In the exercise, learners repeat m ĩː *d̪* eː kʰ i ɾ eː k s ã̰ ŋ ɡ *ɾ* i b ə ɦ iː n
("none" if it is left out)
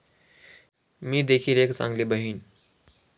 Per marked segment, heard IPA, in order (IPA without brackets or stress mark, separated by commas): d̪, l